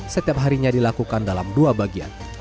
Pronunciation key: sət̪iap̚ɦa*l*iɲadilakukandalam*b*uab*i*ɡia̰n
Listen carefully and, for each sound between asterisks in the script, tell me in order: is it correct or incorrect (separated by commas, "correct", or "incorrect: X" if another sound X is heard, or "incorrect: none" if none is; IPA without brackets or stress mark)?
incorrect: ɾ, incorrect: d, incorrect: a